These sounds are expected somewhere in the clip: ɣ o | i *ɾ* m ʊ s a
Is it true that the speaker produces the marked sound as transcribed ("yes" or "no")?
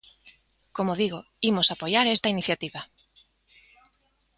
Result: no